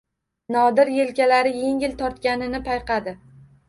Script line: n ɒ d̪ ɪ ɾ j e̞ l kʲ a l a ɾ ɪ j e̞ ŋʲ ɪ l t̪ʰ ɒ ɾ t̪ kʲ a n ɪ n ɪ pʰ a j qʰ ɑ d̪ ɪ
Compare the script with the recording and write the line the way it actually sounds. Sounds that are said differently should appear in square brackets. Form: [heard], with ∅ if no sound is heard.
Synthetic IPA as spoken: n ɒ d̪ ɪ ɾ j e̞ l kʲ a l a ɾ ɪ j e̞ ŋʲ ɪ l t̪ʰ ɒ ɾ t̪ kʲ a n ɪ n ɪ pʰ a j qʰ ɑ d̪ ɪ